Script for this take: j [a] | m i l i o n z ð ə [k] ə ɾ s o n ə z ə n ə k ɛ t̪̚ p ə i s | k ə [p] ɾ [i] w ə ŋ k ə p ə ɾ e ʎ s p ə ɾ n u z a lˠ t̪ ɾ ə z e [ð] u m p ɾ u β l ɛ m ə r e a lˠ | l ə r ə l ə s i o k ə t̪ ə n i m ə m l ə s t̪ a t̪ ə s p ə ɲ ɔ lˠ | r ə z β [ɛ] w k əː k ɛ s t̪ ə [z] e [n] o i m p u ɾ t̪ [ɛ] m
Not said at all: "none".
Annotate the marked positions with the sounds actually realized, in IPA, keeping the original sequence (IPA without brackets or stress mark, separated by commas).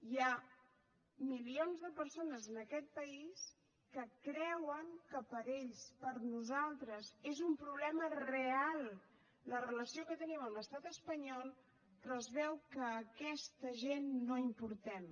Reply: a, p, k, ɛ, z, ɛ, ʒ, nː, ɛ